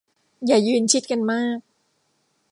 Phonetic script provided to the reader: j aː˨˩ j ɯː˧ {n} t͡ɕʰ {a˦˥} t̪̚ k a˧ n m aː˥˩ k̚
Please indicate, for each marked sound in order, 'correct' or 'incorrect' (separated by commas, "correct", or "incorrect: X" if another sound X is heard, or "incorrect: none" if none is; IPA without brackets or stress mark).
correct, incorrect: i˦˥